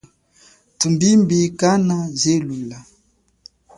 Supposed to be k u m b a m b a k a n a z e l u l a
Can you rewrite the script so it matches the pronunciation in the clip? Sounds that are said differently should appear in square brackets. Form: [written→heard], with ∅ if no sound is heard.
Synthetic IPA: [k→t] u m b [a→i] m b [a→i] k a n a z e l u l a